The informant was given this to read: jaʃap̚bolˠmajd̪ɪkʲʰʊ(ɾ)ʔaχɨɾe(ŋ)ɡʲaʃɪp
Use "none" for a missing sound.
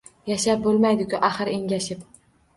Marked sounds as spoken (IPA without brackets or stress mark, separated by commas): none, ŋ